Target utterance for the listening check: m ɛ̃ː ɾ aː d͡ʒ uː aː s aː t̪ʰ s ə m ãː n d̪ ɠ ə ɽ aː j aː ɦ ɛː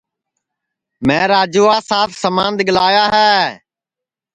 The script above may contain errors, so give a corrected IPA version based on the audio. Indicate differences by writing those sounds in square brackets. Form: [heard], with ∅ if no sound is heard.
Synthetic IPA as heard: m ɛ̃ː ɾ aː d͡ʒ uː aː s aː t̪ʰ s ə m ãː n d̪ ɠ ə [l] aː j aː ɦ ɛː